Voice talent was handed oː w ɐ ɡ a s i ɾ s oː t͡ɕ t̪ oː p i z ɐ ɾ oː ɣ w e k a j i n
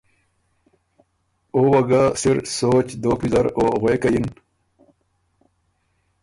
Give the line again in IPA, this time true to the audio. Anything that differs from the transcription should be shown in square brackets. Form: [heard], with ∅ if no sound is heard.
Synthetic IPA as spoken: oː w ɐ ɡ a s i ɾ s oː t͡ɕ [d̪] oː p i z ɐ ɾ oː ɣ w e k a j i n